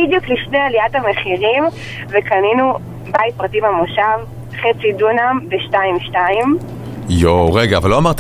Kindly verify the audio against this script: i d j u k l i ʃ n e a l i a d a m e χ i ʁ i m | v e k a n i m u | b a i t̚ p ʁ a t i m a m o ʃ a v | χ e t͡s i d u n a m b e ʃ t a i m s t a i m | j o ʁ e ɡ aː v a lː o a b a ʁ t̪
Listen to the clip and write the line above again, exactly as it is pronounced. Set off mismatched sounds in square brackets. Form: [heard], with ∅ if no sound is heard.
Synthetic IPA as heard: i d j u k l i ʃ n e a l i a [t] a m e χ i ʁ i m | v e k a n i [n] u | b a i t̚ p ʁ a t i m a m o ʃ a v | χ e t͡s i d u n a m b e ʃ t a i m [ʃ] t a i m | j o ʁ e ɡ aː v a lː o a [m] a ʁ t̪